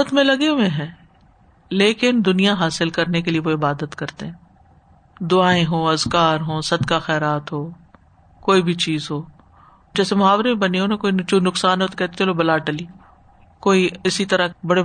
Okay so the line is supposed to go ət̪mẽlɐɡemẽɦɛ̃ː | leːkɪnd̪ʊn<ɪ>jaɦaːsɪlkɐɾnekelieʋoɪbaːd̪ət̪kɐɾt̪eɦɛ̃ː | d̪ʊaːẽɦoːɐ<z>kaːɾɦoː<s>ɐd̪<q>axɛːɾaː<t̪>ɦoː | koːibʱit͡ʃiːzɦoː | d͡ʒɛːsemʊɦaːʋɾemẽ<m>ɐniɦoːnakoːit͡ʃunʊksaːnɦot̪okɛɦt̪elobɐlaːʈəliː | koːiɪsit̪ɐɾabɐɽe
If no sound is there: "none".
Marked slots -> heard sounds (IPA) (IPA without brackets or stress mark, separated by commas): i, z, s, k, t̪, b